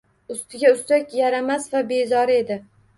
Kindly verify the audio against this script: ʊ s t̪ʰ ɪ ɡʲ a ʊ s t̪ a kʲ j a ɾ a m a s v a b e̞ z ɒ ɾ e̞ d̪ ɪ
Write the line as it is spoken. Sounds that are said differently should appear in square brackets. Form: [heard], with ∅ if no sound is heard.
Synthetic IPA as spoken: ʊ s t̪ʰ ɪ ɡʲ a ʊ s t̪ a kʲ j a ɾ a m a s v a b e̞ z ɒ ɾ e̞ d̪ ɪ